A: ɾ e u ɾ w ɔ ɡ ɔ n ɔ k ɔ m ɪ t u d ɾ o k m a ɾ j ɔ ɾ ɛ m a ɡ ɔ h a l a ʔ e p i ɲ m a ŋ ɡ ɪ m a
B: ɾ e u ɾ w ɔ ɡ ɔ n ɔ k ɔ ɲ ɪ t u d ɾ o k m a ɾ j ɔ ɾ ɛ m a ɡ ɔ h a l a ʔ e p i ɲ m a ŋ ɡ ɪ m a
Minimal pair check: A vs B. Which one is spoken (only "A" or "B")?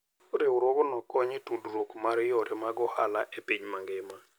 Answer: B